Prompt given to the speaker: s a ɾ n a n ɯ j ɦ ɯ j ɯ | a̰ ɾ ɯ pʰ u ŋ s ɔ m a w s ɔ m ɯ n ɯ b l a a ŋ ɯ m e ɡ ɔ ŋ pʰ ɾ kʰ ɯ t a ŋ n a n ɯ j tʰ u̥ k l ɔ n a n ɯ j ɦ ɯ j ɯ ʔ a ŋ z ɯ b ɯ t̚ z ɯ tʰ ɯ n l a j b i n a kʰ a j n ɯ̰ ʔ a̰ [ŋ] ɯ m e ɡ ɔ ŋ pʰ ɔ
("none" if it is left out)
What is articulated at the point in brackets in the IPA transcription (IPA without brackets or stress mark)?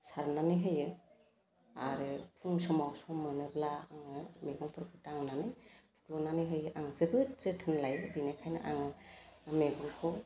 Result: ŋ